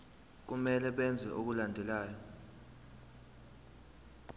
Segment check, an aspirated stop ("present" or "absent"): absent